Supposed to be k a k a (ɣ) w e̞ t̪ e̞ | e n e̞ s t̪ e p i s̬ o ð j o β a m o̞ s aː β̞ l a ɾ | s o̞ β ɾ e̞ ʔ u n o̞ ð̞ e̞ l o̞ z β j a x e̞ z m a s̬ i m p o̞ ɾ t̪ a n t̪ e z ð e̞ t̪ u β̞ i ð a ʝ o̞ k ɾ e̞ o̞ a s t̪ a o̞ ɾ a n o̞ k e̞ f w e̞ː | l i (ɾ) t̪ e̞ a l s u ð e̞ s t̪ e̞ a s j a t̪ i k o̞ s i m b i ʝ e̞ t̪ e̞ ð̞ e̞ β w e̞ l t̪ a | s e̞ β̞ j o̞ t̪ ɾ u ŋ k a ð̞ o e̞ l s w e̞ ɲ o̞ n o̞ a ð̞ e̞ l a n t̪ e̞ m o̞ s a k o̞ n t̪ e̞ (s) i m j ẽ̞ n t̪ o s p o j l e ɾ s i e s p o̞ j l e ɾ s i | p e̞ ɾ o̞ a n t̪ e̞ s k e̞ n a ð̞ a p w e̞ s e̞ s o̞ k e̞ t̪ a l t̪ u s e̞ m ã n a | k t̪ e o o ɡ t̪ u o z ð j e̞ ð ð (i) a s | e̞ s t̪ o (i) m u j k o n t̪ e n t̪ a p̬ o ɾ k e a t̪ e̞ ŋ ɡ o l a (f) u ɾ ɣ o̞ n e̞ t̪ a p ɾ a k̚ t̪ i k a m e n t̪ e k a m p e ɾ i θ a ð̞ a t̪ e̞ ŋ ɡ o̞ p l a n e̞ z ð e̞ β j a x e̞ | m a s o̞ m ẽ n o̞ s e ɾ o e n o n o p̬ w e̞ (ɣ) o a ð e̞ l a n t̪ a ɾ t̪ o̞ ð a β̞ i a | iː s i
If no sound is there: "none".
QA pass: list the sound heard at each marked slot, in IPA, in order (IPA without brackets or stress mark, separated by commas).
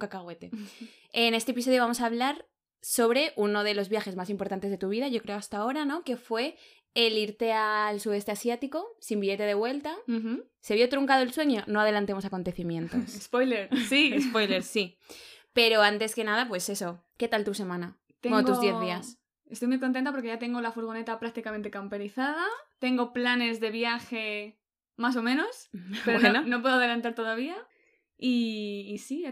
ɣ, ɾ, θ, i, j, f, ð